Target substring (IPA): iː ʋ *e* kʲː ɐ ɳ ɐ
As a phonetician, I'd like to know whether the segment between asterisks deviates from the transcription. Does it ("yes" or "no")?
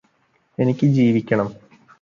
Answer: yes